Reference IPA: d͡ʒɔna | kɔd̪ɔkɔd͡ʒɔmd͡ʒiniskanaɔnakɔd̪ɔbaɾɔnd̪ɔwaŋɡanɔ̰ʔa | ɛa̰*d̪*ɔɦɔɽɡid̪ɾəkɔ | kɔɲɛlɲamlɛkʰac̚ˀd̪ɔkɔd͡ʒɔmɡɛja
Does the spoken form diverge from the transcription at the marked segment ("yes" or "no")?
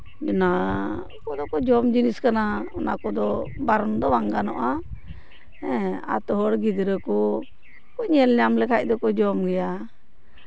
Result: yes